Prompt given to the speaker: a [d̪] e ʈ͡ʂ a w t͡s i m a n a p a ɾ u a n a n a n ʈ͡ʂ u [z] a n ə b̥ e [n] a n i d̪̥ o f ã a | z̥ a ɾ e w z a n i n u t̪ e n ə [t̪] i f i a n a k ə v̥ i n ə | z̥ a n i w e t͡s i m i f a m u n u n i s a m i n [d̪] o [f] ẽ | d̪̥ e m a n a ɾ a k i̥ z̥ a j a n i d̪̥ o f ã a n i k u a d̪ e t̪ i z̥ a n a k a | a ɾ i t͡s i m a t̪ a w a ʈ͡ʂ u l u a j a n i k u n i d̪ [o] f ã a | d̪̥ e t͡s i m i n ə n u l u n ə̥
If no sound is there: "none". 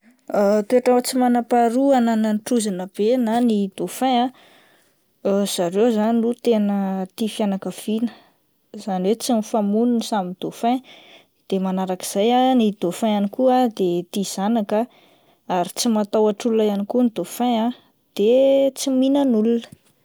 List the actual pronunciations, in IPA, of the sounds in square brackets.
t̪, z, n, t̪, d̪, f, o

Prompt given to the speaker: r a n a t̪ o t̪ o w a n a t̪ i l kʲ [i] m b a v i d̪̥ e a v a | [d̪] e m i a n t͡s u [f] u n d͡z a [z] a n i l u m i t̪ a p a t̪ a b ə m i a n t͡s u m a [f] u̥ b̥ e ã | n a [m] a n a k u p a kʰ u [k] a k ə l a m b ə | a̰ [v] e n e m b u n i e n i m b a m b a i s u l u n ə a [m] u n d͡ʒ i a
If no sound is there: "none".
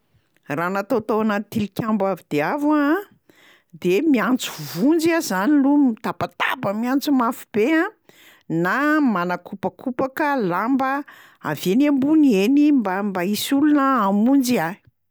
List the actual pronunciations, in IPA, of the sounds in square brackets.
a, d̪, v, z, f, m, p, v, m

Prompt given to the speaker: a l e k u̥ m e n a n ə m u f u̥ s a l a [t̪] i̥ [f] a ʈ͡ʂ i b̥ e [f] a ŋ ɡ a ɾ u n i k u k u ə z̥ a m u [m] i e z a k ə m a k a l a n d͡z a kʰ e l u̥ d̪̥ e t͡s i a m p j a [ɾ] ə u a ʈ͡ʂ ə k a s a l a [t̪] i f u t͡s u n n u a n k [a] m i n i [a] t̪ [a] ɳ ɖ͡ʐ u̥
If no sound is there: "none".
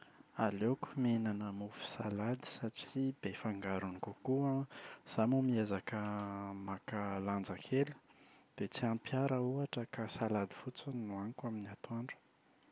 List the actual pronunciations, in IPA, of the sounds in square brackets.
d̪, s, f, m, ɾ, d̪, a, a, a

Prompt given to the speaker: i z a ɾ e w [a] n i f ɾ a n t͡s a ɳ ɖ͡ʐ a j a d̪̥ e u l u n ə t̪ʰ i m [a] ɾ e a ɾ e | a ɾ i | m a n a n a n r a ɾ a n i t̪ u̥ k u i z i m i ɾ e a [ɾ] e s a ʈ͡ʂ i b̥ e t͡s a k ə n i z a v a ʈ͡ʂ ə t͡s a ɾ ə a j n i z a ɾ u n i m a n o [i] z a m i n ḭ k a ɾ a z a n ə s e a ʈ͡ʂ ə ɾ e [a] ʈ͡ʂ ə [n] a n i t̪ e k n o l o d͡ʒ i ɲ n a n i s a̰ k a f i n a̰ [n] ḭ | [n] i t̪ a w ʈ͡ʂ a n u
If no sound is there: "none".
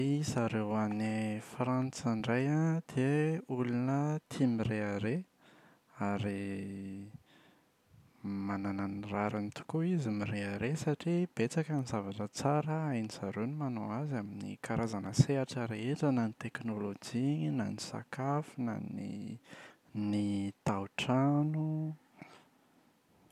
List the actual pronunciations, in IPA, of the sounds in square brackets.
a, i, ɾ, a, e, n, n, n

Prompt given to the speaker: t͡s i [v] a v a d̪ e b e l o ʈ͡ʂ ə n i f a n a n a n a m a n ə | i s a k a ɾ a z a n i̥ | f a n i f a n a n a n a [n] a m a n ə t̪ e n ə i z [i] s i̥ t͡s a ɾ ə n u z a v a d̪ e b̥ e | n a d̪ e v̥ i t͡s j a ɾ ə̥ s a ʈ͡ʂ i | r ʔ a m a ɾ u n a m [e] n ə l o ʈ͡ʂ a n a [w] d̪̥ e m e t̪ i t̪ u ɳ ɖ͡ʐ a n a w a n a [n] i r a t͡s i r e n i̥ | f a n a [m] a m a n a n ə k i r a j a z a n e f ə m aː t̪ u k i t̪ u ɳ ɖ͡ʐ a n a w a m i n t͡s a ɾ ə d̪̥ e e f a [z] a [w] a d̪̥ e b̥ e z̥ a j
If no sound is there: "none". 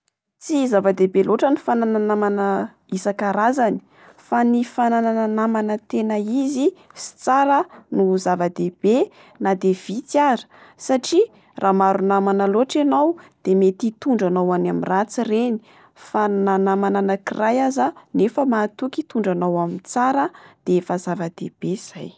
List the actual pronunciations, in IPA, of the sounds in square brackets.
z, n, i, a, w, m, n, z, v

